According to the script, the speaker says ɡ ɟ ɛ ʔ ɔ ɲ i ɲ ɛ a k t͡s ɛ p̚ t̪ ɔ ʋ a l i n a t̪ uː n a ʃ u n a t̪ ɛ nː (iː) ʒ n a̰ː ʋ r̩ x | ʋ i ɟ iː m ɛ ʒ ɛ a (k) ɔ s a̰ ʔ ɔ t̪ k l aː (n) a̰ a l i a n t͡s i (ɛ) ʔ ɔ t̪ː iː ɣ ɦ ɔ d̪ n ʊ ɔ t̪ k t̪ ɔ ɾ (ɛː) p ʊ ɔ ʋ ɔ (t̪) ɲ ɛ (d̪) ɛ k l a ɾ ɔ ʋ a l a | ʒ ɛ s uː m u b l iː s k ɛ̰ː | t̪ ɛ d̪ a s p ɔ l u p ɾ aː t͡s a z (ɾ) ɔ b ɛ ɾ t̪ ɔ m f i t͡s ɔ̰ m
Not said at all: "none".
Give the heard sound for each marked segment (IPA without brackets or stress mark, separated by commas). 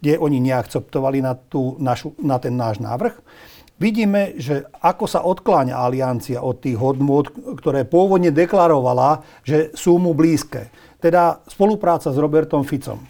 aː, k, ɲ, a, ɛː, d̪, d̪, ɾ